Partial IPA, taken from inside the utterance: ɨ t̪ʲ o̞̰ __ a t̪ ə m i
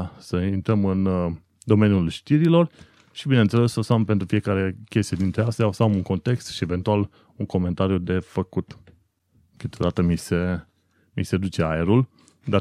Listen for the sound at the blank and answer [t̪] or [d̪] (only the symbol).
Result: d̪